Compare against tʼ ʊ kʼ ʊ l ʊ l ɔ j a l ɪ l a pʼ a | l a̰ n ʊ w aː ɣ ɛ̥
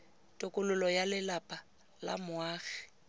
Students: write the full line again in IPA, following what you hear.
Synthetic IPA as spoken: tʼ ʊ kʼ ʊ l ʊ l ɔ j a l ɪ l a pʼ a | l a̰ m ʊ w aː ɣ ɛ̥